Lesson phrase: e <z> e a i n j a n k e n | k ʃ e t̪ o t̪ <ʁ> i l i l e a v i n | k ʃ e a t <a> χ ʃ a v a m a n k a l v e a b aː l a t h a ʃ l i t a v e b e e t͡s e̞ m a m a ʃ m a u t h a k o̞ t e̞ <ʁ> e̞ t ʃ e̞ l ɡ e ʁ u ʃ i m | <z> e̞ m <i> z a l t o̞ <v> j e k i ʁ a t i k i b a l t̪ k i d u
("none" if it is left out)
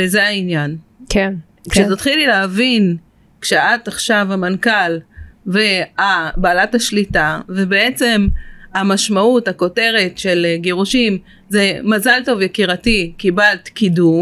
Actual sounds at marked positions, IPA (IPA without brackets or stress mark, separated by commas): z, χ, a, ʁ, z, a, v